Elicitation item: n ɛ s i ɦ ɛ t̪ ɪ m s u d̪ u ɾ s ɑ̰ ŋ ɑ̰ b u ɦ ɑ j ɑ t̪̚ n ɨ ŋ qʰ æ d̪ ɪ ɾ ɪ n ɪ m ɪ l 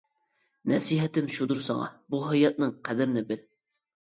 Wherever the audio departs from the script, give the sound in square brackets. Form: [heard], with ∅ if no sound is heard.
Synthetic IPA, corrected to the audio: n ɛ s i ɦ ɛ t̪ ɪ m [ʃ] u d̪ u ɾ s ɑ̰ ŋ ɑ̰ b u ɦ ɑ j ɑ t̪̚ n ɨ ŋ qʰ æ d̪ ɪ ɾ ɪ n ɪ [b] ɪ l